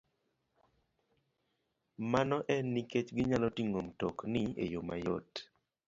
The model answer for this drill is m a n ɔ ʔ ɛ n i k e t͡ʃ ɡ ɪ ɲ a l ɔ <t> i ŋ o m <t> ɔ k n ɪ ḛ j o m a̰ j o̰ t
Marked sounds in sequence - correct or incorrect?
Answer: correct, correct

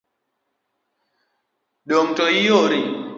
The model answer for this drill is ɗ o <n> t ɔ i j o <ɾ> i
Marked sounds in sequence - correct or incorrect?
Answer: incorrect: ŋ, correct

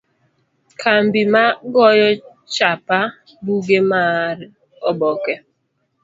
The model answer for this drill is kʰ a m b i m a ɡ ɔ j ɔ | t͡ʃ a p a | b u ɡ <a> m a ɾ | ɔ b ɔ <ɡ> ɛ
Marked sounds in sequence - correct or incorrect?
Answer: incorrect: e, incorrect: k

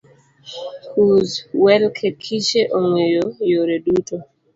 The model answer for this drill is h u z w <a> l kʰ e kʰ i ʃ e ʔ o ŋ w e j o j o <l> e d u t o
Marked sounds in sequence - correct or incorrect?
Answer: incorrect: ɛ, incorrect: ɾ

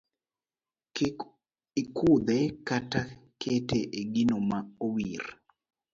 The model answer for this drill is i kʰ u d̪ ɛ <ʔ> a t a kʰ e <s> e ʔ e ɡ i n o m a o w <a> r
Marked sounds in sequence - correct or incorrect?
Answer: incorrect: k, incorrect: t, incorrect: i

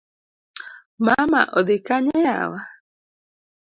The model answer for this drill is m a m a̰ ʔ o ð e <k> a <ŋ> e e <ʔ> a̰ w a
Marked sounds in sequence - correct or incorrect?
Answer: correct, incorrect: ɲ, incorrect: none

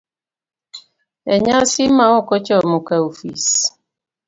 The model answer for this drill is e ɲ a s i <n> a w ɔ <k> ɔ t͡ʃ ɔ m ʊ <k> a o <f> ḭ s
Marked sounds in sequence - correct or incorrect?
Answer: incorrect: m, correct, correct, correct

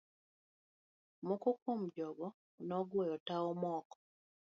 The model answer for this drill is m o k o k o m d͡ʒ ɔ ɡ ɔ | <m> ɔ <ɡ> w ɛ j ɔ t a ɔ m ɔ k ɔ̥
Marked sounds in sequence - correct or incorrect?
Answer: incorrect: n, correct

